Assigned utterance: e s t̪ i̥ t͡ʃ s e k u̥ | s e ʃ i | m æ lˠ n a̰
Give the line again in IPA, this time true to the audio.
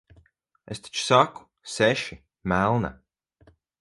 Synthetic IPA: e s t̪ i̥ t͡ʃ s a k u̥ | s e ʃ i | m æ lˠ n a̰

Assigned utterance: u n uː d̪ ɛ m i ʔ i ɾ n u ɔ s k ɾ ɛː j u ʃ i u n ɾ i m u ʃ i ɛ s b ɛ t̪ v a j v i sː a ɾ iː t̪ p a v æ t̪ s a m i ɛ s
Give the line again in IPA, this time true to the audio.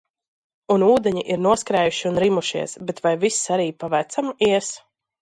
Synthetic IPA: u n uː d̪ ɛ ɲ i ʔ i ɾ n u ɔ s k ɾ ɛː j u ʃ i u n ɾ i m u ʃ i ɛ s b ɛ t̪ v a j v i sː a ɾ iː p a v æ t̪ s a m i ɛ s

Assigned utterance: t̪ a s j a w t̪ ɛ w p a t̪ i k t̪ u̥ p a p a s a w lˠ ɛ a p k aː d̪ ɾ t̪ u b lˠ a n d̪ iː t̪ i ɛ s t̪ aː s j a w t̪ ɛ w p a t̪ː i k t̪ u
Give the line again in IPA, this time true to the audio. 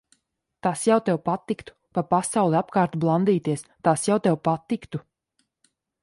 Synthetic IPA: t̪ a s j a w t̪ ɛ w p a t̪ i k t̪ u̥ p a p a s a w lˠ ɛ a p k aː ɾ t̪ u b lˠ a n d̪ iː t̪ i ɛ s t̪ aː s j a w t̪ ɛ w p a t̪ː i k t̪ u

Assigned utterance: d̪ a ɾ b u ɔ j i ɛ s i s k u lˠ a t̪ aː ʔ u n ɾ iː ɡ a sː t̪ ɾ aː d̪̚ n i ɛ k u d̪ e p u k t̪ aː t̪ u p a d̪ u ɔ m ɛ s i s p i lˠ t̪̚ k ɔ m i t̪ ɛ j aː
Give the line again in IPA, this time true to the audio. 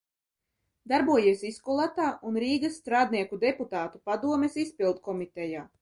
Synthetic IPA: d̪ a ɾ b u ɔ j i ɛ s i s k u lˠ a t̪ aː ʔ u n ɾ iː ɡ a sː t̪ ɾ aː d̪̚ n i ɛ k u d̪ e p u t̪ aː t̪ u p a d̪ u ɔ m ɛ s i s p i lˠ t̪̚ k ɔ m i t̪ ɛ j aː

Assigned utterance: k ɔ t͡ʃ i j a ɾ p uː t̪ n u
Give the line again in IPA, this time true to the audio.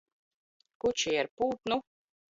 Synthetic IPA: k u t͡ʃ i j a ɾ p uː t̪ n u

